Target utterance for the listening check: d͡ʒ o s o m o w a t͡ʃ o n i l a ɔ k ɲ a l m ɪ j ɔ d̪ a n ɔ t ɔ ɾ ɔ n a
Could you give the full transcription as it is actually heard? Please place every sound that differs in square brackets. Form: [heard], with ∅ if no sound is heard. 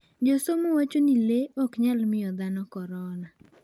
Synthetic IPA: d͡ʒ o s o m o w a t͡ʃ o n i l [e] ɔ k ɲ a l m ɪ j ɔ d̪ a n ɔ [k] ɔ ɾ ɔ n a